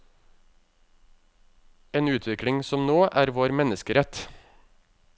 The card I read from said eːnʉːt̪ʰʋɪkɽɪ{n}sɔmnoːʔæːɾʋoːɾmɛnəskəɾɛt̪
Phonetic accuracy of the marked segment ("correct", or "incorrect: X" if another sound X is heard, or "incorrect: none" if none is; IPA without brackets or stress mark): incorrect: ŋ